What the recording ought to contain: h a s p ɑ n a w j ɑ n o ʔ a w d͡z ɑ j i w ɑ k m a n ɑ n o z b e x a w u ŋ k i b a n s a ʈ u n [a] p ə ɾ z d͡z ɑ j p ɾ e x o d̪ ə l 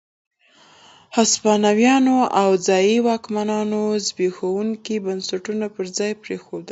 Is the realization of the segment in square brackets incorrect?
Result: no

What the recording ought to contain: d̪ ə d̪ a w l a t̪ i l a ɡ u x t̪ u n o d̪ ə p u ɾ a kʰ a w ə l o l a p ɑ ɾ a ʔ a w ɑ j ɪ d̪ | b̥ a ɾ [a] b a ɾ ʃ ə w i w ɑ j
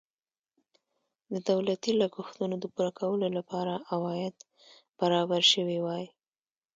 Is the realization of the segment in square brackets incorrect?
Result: yes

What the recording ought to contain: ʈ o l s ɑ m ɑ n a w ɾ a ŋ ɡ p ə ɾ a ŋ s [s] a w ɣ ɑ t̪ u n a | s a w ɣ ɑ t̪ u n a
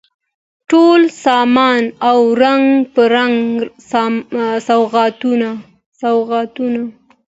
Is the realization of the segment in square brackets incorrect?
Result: no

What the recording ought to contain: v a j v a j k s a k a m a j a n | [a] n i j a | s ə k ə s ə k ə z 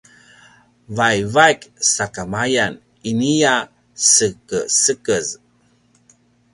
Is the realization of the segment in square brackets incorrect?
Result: yes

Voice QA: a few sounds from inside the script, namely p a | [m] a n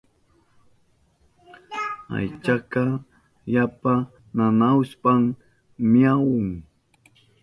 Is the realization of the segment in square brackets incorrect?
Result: yes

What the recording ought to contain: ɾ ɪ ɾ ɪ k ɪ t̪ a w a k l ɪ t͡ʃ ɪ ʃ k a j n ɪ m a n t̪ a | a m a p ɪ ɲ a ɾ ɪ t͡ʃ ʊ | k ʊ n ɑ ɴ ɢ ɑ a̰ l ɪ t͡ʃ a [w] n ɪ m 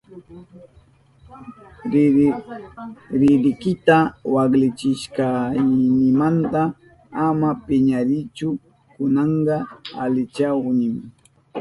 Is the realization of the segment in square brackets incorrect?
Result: no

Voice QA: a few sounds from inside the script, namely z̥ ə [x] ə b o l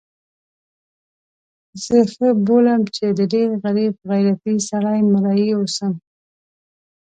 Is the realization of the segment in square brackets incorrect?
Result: no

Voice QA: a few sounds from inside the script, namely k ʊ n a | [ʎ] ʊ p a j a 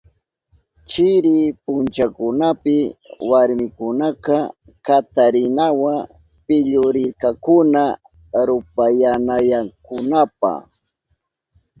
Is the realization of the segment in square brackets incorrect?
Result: yes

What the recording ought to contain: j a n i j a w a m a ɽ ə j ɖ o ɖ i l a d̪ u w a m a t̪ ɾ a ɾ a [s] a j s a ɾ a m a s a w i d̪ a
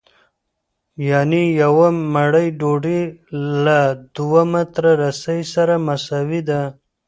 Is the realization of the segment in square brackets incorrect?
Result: no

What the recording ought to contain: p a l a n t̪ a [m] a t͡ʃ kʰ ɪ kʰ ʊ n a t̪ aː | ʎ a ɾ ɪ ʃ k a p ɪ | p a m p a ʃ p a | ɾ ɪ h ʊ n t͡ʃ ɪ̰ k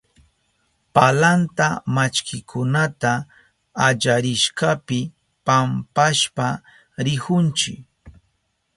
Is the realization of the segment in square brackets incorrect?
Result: no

